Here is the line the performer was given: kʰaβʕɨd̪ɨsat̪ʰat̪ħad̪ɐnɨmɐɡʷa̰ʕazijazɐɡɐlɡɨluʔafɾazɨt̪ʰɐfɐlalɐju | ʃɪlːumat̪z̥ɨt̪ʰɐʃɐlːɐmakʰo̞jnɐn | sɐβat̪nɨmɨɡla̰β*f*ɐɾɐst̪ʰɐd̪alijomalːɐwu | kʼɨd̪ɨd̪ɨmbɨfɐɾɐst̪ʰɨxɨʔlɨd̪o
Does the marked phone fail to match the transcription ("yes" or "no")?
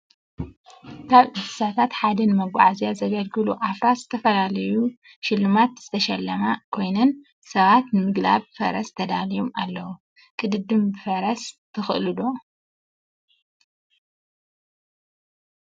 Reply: no